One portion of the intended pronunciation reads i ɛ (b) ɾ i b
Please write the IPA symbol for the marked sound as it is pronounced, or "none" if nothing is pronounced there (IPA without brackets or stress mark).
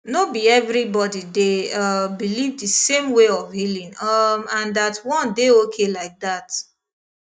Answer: v